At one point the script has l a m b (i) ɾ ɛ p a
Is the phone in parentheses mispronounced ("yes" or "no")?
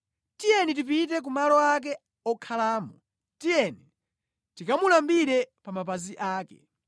no